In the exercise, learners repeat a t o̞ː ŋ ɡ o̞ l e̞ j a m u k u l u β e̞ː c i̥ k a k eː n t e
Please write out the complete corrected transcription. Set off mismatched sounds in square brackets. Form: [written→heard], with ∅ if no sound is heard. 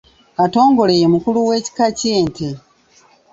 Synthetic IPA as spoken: a t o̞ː ŋ ɡ o̞ l e̞ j [a→e] m u k u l u [β→w] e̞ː c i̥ k a [k→c] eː n t e